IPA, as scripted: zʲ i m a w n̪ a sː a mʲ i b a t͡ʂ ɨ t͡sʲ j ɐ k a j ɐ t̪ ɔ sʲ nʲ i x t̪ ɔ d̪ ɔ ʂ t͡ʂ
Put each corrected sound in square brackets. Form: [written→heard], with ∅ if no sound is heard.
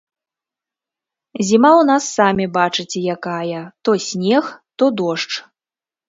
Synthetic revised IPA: zʲ i m a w n̪ a sː a mʲ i b a t͡ʂ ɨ t͡sʲ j [ɐ→a] k a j ɐ t̪ ɔ sʲ nʲ [i→ɛ] x t̪ ɔ d̪ ɔ ʂ t͡ʂ